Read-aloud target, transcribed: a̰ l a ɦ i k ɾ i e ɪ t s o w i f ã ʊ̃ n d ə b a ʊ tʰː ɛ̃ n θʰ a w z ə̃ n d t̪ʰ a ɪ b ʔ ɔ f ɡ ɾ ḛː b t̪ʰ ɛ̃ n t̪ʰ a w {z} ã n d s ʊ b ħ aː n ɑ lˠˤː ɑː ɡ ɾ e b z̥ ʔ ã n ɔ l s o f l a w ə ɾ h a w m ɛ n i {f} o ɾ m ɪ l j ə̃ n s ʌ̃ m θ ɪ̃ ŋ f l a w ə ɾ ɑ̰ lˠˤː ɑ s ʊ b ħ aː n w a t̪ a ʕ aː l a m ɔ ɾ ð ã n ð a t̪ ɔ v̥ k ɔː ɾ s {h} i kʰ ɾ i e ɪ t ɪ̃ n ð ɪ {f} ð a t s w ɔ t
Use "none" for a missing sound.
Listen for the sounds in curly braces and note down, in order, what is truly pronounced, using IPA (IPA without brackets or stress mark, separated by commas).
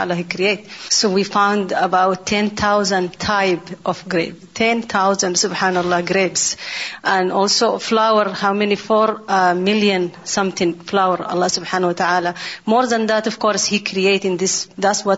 z, f, h, s